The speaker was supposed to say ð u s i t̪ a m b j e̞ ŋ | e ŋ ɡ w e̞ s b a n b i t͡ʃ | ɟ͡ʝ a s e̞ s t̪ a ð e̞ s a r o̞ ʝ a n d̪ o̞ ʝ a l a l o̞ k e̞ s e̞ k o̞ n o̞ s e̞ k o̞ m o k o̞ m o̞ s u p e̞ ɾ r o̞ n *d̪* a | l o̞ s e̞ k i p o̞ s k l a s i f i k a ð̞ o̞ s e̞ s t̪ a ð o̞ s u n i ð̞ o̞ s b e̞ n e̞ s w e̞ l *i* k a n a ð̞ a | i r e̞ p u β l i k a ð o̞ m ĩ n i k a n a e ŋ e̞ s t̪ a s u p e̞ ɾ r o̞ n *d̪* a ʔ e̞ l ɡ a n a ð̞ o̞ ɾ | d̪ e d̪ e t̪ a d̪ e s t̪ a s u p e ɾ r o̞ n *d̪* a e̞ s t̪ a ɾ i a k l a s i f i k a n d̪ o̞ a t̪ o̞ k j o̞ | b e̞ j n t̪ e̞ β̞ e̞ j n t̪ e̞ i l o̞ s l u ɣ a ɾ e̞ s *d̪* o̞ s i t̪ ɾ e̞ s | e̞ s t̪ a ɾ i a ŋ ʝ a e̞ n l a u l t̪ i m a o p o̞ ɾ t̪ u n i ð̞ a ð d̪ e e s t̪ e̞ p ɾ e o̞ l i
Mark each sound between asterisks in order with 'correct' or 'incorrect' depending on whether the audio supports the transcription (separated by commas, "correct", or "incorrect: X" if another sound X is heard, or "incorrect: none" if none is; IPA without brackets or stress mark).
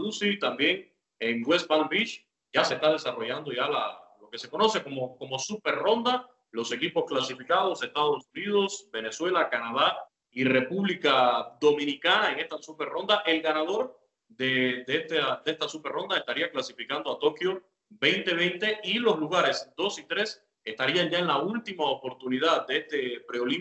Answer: correct, incorrect: a, correct, correct, correct